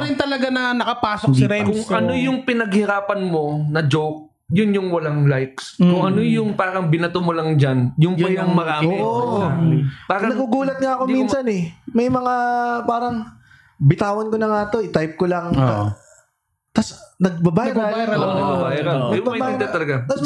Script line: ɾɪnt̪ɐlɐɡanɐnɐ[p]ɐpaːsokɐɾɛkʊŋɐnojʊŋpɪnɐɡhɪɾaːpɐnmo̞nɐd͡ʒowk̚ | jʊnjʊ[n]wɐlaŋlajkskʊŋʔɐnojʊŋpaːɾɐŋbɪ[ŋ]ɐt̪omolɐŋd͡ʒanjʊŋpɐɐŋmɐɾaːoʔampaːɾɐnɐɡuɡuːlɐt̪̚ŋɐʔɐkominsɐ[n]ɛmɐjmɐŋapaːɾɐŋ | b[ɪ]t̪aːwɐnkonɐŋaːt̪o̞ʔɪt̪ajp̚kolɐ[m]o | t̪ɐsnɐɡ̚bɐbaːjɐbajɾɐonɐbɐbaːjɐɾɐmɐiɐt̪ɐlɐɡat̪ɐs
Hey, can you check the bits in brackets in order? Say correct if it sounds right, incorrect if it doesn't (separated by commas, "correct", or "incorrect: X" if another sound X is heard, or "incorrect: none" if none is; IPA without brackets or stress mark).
incorrect: k, incorrect: ŋ, incorrect: n, correct, correct, incorrect: ŋ